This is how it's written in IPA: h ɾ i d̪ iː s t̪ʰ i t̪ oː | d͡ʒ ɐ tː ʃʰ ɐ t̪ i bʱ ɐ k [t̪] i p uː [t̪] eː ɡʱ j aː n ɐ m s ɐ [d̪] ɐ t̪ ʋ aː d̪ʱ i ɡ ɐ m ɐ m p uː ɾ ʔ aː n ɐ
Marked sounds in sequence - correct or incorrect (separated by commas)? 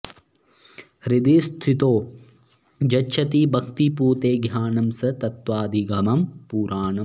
correct, correct, incorrect